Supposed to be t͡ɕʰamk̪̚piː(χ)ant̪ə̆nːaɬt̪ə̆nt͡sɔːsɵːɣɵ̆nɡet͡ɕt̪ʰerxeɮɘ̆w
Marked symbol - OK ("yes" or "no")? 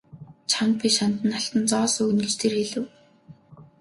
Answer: no